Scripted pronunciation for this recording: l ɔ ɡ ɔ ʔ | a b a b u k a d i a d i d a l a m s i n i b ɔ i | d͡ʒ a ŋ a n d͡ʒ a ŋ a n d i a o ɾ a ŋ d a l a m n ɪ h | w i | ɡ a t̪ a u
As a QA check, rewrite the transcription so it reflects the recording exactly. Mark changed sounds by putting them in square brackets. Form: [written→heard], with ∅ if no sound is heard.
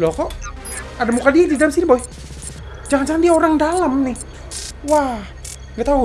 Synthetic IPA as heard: l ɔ [ɡ→k] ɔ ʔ | a [b→d] a [b→m] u k a d i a d i d a l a m s i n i b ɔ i | d͡ʒ a ŋ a n d͡ʒ a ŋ a n d i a o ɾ a ŋ d a l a m n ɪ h | w [i→a] | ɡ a t̪ a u

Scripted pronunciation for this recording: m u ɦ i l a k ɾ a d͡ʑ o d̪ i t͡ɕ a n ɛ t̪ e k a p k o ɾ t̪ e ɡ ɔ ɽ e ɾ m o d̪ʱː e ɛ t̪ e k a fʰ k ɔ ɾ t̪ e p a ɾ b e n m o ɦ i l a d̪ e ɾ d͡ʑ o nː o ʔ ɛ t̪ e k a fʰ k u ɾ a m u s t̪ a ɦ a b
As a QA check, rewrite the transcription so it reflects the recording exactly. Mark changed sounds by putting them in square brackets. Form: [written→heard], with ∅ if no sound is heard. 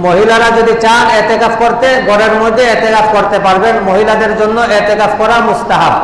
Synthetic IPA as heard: m [u→o] ɦ i l a [k→∅] ɾ a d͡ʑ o d̪ i t͡ɕ a n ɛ t̪ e k a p k o ɾ t̪ e ɡ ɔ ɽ e ɾ m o d̪ʱː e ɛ t̪ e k a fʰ k [ɔ→o] ɾ t̪ e p a ɾ b e n m o ɦ i l a d̪ e ɾ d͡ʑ o nː o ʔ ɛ t̪ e k a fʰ k [u→ɔ] ɾ a m u s t̪ a ɦ a b

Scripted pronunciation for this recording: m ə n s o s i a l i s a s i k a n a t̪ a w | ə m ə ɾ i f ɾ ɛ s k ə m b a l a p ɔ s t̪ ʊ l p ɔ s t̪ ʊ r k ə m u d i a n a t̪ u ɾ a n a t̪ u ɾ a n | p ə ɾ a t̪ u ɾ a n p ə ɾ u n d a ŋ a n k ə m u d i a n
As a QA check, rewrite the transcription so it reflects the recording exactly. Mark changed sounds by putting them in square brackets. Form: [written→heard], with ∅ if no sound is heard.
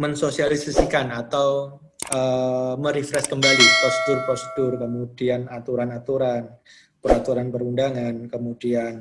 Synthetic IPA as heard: m ə n s o s i a l i s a s i k a n a t̪ a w | ə m ə ɾ i f ɾ ɛ s k ə m b a l [a→i] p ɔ s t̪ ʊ [l→r] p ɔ s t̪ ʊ r k ə m u d i a n a t̪ u ɾ a n a t̪ u ɾ a n | p ə ɾ a t̪ u ɾ a n p ə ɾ u n d a ŋ a n k ə m u d i a n

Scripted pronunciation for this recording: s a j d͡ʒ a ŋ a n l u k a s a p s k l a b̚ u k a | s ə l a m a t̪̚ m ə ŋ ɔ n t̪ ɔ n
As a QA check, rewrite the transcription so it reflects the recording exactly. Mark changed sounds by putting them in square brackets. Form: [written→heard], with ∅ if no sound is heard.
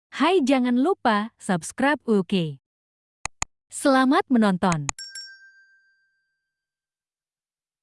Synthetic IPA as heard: [s→h] a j d͡ʒ a ŋ a n l u [k→p] a s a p s k [l→ɾ] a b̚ u k [a→e] | s ə l a m a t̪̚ m ə [ŋ→n] ɔ n t̪ ɔ n

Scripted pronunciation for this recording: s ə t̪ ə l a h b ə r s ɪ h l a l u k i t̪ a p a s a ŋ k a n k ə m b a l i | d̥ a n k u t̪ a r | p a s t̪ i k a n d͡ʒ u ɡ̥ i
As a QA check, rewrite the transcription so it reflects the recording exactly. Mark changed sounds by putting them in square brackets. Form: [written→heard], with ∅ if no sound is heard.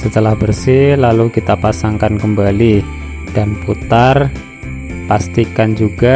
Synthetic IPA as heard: s ə t̪ ə l a h b ə r s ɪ h l a l u k i t̪ a p a s a ŋ k a n k ə m b a l i | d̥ a n [k→p] u t̪ a r | p a s t̪ i k a n d͡ʒ u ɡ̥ [i→a]

